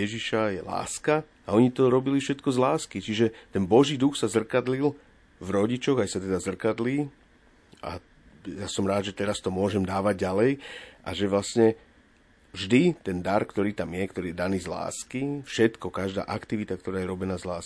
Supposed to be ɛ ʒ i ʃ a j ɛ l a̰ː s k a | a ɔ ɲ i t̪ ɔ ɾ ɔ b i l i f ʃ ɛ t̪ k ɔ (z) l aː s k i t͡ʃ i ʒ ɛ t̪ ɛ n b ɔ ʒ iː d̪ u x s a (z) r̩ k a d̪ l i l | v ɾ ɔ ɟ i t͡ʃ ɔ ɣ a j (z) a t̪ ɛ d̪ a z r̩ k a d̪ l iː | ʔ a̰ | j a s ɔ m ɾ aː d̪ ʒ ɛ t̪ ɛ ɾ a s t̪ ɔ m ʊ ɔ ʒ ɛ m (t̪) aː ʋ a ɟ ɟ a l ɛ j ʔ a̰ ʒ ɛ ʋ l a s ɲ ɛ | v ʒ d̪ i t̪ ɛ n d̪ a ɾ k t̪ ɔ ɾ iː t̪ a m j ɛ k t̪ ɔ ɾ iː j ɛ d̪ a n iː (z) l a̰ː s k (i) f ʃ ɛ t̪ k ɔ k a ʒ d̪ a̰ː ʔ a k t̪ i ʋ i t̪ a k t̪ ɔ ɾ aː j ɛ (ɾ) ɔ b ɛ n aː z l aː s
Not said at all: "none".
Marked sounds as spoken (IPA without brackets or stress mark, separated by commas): z, z, s, d̪, z, i, ɾ